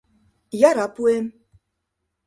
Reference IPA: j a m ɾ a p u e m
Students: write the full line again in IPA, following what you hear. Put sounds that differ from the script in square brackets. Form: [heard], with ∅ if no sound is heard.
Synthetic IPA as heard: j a [∅] ɾ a p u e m